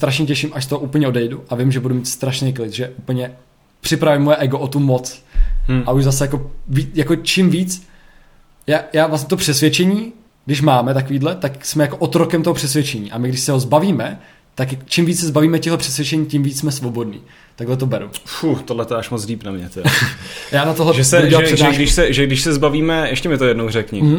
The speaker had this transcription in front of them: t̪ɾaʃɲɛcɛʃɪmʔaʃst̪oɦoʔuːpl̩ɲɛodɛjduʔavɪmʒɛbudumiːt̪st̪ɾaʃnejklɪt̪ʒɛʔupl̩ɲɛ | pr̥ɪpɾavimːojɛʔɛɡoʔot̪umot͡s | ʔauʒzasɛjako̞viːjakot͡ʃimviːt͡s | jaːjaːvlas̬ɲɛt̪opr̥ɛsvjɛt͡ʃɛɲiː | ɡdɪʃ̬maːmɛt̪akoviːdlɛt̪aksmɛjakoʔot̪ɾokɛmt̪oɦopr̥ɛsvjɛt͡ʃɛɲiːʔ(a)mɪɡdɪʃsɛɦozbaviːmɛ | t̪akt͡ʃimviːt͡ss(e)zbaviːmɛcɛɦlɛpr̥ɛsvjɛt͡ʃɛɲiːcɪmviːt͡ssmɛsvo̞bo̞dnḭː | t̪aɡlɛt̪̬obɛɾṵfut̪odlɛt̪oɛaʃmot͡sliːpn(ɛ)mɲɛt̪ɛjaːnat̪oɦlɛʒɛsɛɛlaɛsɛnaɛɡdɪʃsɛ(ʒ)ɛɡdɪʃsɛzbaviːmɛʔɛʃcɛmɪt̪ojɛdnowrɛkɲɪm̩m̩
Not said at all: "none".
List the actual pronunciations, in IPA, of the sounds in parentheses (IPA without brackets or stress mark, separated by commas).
a, ɛ, a, ʒ